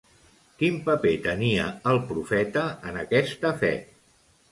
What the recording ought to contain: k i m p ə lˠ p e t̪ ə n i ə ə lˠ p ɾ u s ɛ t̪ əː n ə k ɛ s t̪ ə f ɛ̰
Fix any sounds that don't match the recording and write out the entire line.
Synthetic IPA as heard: k i m p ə p e t̪ ə n i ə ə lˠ p ɾ u f ɛ t̪ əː n ə k ɛ s t̪ ə f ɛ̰